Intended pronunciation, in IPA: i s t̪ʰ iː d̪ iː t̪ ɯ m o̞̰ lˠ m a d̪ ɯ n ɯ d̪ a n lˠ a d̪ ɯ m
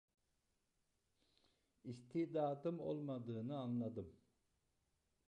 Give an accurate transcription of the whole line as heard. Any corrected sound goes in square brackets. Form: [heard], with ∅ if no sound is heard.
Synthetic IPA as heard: i s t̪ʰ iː d̪ [aː] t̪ ɯ m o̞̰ lˠ m a d̪ [ɯː] n ɯ [∅] a n lˠ a d̪ ɯ m